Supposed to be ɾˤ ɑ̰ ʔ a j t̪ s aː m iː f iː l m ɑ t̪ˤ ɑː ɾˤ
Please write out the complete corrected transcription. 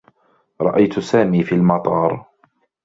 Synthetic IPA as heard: ɾˤ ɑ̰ ʔ a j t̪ s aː m iː f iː l m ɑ t̪ˤ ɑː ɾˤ